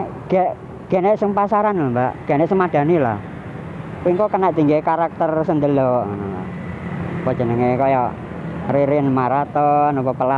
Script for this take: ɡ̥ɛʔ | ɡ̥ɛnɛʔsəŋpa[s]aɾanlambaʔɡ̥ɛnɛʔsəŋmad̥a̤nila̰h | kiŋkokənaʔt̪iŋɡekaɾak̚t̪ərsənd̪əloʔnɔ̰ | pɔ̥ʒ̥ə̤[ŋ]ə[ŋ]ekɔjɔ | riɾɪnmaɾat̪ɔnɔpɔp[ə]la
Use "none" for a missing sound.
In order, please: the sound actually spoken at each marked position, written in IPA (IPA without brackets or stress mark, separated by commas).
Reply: s, n, ŋ, ə